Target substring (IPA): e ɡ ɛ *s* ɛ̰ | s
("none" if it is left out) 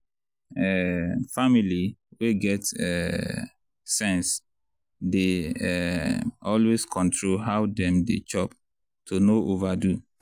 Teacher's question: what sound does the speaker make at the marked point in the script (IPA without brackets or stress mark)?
t